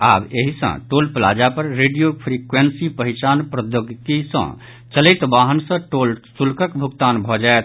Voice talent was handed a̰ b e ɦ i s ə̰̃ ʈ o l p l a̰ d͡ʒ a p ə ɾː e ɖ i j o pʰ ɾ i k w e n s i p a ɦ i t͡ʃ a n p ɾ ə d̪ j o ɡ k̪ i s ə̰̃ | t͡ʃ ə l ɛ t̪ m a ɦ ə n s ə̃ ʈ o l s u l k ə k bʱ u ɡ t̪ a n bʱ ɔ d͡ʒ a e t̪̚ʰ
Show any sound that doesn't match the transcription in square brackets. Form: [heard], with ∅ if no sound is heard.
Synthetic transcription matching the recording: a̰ b e ɦ i s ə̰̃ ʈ o l p l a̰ d͡ʒ a p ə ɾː e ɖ i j o pʰ ɾ i k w e n s i p [ə] ɦ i t͡ʃ a n p ɾ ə d̪ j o ɡ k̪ i s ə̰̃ | t͡ʃ ə l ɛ t̪ [b] a ɦ ə n s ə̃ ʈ o l s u l k ə k bʱ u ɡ t̪ a n bʱ ɔ d͡ʒ a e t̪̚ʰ